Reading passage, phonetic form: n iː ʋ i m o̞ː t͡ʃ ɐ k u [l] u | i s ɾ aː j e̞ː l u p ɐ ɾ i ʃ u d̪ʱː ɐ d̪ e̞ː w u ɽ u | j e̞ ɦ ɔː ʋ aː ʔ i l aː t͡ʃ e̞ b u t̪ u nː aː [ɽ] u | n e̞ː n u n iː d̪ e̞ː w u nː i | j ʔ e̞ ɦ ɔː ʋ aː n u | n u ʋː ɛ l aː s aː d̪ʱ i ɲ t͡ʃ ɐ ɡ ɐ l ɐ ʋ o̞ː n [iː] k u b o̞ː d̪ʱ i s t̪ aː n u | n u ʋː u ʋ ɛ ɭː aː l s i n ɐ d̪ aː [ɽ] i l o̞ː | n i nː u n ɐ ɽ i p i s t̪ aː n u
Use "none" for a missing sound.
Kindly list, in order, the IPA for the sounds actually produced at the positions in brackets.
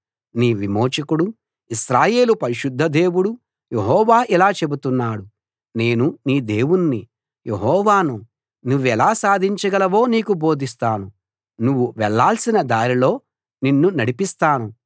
ɽ, ɽ, iː, ɾ

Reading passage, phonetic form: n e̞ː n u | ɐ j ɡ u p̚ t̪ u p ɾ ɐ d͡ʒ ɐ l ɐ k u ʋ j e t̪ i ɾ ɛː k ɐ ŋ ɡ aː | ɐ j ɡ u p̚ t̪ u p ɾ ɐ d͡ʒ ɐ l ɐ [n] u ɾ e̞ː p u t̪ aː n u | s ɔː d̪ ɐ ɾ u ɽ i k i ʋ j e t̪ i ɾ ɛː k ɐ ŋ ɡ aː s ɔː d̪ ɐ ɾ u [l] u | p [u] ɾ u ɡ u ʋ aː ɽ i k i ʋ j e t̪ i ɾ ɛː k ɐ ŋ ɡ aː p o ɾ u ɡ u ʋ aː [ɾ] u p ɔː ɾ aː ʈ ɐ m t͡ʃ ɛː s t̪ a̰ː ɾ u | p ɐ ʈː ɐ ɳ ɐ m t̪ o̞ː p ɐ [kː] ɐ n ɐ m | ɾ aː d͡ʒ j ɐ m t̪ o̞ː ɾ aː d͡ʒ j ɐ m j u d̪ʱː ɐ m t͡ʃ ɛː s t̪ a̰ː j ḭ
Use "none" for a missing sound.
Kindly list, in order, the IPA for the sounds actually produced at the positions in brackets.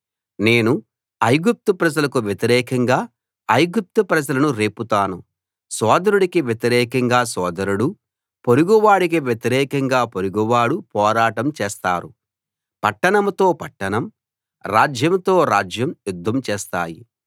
n, ɽ, o, ɽ, ʈː

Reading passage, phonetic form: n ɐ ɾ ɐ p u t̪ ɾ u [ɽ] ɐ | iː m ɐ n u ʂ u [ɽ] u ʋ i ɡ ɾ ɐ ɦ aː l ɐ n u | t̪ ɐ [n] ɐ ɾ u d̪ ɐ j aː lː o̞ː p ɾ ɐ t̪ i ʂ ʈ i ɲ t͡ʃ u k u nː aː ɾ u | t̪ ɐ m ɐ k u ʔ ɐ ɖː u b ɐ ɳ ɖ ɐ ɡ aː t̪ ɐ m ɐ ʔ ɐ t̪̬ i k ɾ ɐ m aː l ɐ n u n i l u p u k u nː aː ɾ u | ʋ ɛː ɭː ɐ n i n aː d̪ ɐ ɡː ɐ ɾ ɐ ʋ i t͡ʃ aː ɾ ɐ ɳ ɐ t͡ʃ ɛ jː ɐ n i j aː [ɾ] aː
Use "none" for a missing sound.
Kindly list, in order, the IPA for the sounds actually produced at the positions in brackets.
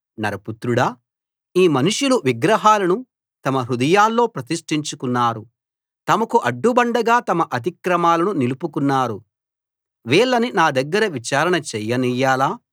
ɽ, l, m, l

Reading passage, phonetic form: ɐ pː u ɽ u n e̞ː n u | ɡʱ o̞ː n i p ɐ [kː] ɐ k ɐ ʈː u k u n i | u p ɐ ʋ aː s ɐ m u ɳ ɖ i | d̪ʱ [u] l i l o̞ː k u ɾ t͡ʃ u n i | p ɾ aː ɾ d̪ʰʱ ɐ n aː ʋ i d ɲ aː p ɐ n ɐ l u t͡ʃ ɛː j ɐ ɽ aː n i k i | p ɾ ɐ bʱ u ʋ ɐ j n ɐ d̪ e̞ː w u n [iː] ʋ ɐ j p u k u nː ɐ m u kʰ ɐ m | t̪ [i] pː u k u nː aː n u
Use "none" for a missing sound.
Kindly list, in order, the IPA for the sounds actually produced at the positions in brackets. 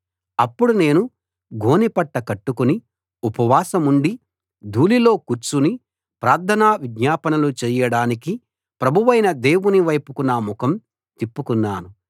ʈː, uː, i, i

